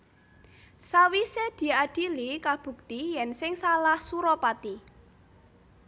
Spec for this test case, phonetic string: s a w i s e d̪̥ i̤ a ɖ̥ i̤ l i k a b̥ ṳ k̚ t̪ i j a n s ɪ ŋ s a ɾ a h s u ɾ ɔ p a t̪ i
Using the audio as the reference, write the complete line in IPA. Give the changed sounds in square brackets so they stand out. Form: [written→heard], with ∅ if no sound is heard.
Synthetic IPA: s a w i s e d̪̥ i̤ a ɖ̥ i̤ l i k a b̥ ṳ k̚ t̪ i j [a→ɛ] n s ɪ ŋ s a [ɾ→l] a h s u ɾ ɔ p a t̪ i